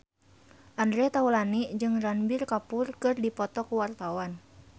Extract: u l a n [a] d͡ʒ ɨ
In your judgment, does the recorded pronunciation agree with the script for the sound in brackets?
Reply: no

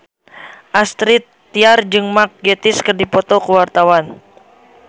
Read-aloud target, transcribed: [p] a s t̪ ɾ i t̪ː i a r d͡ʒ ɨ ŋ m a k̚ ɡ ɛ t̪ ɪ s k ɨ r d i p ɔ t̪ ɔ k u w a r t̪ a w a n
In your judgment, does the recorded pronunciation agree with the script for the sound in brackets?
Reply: no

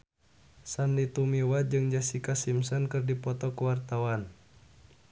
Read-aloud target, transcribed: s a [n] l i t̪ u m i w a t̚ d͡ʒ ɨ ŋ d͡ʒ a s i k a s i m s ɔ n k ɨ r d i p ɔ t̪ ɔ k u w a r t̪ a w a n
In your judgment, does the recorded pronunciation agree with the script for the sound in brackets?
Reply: yes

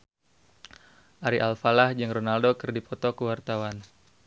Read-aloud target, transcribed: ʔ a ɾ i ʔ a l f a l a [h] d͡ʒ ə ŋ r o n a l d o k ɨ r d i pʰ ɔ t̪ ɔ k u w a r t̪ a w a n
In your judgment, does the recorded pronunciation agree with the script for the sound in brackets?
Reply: yes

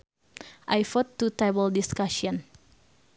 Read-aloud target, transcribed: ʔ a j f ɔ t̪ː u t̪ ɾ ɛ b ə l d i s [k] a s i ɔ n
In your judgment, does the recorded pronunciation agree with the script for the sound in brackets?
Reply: yes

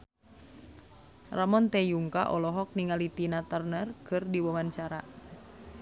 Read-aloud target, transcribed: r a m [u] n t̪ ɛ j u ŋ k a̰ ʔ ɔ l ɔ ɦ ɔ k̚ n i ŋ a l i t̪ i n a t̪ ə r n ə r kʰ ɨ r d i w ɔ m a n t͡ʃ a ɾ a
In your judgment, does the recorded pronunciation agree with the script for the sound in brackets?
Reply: no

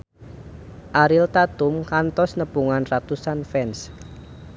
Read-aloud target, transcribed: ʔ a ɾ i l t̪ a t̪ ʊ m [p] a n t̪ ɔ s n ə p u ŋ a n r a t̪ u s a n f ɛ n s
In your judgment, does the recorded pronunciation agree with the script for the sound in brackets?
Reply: no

